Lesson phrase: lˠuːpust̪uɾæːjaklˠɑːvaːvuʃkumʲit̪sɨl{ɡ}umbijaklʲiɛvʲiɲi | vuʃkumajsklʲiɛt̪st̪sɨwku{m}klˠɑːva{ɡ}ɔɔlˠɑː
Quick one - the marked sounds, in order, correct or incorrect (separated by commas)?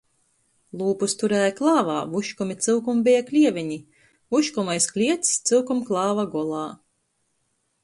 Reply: incorrect, correct, correct